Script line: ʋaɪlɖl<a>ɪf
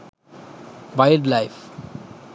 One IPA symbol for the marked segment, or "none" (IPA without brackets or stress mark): a